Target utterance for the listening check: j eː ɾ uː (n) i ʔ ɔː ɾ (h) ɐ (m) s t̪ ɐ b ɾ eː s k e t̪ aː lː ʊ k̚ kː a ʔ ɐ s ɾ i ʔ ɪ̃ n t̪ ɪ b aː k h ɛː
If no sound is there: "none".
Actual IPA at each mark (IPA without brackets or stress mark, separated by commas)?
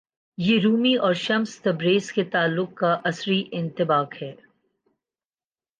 m, ʃ, m